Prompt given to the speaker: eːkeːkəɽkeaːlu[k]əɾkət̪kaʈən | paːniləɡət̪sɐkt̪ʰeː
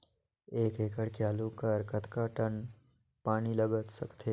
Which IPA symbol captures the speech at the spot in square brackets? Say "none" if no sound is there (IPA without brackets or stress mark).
k